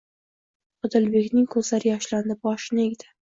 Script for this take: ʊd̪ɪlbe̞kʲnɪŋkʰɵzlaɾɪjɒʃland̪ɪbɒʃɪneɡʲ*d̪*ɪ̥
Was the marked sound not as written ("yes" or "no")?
no